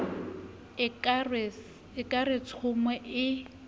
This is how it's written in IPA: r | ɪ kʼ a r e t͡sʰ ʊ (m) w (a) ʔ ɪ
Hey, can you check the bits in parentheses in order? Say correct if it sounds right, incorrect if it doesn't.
correct, incorrect

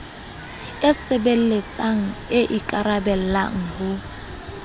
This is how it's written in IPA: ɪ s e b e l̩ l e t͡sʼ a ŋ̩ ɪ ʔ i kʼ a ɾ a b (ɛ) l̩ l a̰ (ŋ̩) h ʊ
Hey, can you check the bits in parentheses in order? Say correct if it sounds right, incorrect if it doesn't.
correct, correct

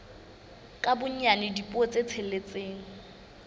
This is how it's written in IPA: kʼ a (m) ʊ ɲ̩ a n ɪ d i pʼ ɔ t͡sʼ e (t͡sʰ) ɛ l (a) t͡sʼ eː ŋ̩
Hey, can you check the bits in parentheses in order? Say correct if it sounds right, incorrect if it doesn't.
incorrect, correct, incorrect

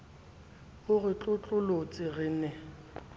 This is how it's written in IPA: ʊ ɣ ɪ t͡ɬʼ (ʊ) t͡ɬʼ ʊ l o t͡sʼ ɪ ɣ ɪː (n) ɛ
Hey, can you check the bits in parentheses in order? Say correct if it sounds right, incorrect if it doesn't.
correct, correct

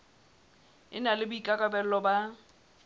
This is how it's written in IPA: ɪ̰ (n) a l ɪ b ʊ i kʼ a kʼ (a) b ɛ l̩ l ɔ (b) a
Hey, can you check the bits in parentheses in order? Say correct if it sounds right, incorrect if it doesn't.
correct, correct, correct

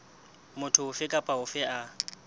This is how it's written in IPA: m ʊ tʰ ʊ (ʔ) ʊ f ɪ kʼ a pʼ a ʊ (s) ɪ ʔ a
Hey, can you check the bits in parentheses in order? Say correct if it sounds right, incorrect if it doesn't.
incorrect, incorrect

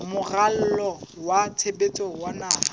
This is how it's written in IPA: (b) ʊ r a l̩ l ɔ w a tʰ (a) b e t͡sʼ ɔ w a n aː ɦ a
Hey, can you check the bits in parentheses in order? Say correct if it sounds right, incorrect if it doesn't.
incorrect, incorrect

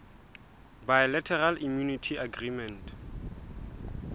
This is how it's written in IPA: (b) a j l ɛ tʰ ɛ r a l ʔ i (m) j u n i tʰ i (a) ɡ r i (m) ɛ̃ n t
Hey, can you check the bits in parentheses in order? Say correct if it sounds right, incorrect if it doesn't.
correct, correct, correct, correct

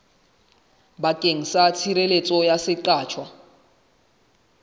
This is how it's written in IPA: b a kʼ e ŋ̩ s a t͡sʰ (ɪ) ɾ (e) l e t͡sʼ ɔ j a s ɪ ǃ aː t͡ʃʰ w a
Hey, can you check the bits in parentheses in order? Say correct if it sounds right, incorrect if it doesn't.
incorrect, correct

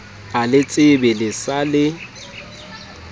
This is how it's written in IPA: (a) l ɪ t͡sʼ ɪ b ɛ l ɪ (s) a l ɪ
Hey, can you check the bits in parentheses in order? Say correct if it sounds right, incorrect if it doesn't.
correct, correct

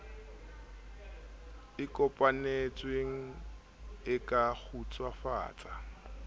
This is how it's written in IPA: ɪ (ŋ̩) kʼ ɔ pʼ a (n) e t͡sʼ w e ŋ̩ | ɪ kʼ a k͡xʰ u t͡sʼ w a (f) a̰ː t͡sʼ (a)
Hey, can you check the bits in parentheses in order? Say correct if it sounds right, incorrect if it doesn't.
incorrect, correct, correct, correct

